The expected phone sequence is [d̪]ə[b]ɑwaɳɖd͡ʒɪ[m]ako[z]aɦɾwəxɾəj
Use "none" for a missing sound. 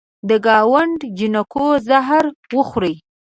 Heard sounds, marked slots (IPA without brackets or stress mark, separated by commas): d̪, ɡ, n, z